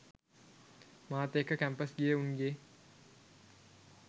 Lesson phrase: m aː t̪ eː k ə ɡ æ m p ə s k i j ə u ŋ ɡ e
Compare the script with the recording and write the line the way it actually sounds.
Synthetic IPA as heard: m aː t̪ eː k ə k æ m p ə s ɡ i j ə u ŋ ɡ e